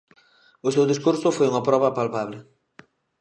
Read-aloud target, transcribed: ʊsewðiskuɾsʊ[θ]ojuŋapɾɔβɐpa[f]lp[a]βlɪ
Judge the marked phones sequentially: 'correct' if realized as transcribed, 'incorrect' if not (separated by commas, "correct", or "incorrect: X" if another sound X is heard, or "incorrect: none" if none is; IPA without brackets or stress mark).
incorrect: f, incorrect: none, correct